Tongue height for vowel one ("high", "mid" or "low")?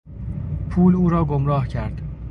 high